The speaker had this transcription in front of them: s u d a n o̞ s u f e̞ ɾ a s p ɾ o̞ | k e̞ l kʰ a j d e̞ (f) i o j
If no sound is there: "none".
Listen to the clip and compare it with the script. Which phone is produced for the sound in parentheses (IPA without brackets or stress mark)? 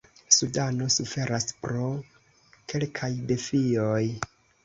f